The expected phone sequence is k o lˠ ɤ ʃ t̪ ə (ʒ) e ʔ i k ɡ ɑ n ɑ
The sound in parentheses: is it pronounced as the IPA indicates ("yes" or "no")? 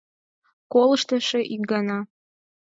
no